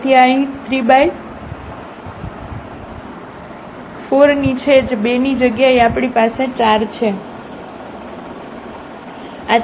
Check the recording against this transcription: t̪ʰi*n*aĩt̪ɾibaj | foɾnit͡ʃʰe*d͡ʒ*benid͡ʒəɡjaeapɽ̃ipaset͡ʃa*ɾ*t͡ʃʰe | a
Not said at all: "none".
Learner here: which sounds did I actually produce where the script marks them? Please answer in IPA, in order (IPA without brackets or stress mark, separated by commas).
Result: none, d͡ʒ, ɾ